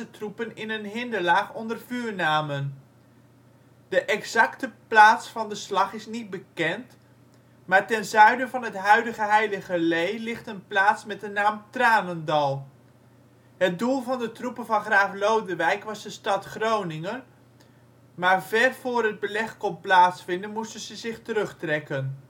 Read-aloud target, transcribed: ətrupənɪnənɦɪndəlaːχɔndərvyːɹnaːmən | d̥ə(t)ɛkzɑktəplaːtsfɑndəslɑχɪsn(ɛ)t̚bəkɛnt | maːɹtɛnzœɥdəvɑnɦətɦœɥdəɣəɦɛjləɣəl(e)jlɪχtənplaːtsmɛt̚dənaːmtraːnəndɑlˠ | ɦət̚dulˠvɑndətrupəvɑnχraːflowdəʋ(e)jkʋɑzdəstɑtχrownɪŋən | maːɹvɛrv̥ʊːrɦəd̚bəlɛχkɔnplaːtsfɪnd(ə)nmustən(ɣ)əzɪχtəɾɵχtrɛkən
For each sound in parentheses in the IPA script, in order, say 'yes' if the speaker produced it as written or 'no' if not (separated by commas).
no, no, yes, no, yes, no